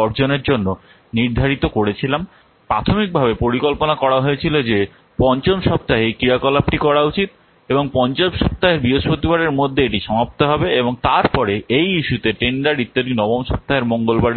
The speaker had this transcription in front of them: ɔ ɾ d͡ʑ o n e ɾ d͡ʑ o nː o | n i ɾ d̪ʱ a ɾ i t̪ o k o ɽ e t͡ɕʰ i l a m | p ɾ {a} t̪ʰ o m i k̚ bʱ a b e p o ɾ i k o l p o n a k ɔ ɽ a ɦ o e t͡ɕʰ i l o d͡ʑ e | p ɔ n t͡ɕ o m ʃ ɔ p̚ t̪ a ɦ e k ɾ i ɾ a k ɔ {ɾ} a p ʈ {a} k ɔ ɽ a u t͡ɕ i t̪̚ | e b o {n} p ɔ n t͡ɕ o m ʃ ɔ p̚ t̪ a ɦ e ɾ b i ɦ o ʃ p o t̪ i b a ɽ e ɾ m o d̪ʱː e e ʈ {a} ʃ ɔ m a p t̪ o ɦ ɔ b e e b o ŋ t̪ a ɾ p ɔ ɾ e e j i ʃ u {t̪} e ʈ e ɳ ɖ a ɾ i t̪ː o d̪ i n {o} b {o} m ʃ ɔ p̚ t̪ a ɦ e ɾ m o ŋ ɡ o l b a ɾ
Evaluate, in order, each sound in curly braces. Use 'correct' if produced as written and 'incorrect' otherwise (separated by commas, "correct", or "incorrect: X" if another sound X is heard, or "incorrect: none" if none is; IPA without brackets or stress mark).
correct, incorrect: l, incorrect: i, incorrect: ŋ, incorrect: i, correct, incorrect: ɔ, correct